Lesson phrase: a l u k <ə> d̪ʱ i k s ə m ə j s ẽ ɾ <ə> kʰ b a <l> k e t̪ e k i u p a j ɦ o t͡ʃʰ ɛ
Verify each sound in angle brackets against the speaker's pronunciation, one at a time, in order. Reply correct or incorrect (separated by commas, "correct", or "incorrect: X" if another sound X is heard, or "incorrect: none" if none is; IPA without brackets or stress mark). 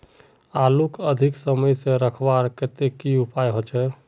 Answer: correct, correct, incorrect: ɾ